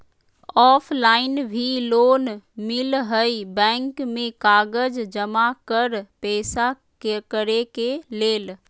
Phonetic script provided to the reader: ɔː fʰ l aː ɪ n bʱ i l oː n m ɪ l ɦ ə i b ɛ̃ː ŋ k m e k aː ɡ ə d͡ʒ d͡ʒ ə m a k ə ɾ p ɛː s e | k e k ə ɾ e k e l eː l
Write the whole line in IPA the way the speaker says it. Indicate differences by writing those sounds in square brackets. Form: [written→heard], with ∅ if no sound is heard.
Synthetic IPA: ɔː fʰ l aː ɪ n bʱ i l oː n m ɪ l ɦ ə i b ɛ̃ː ŋ k m [e→ẽ] k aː ɡ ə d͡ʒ d͡ʒ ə m a k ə ɾ p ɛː s [e→a] | k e k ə ɾ e k e l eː l

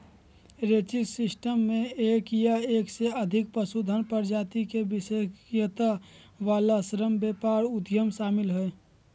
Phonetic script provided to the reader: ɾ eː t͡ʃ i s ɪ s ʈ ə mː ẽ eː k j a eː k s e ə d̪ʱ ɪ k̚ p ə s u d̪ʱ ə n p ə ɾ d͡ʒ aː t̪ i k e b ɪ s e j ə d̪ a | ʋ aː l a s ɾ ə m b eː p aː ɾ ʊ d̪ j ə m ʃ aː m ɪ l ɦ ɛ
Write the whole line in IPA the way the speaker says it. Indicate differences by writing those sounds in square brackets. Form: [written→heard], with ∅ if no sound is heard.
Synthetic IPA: ɾ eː t͡ʃ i s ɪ s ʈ ə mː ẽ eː k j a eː k s e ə d̪ʱ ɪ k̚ p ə s u d̪ʱ ə n p ə ɾ d͡ʒ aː t̪ i k e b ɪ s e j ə [d̪→t̪] a | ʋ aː l a s ɾ ə m b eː p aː ɾ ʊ d̪ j ə m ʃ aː m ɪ l ɦ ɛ

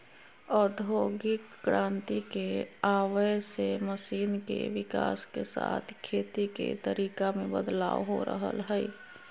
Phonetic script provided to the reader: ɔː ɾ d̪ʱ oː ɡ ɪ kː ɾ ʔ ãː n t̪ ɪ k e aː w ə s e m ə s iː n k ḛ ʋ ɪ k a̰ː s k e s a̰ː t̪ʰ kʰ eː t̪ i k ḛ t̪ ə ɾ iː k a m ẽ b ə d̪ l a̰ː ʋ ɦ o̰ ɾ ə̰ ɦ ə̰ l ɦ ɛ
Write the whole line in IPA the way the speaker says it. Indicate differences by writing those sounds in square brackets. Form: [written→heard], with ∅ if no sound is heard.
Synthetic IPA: ɔː ɾ d̪ʱ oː ɡ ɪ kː ɾ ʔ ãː n t̪ [ɪ→i] k e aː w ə s e m ə s iː n k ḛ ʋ ɪ k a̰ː s k e s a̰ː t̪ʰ kʰ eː t̪ i k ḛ t̪ ə ɾ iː k a m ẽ b ə d̪ l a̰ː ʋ ɦ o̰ ɾ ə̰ ɦ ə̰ l ɦ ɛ

